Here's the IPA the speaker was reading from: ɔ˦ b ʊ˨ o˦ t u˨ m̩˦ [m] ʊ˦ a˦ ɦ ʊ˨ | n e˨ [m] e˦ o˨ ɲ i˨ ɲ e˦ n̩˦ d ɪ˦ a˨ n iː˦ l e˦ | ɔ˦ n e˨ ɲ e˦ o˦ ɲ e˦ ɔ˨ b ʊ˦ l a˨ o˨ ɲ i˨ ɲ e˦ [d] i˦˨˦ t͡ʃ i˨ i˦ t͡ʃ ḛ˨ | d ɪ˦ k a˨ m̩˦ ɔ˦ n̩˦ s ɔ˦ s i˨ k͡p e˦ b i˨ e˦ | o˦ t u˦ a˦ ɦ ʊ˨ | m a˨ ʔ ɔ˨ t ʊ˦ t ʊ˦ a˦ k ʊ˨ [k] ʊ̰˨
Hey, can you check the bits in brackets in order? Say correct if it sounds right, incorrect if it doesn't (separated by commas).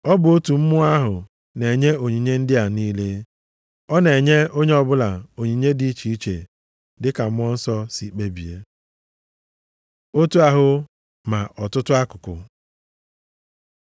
correct, incorrect, correct, correct